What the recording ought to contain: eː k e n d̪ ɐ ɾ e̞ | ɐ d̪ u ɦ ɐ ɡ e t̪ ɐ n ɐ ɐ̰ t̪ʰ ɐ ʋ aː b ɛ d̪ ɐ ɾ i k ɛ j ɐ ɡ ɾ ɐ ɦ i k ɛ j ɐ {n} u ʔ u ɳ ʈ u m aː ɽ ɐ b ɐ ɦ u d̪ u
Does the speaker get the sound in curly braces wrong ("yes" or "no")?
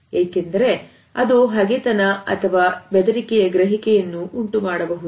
yes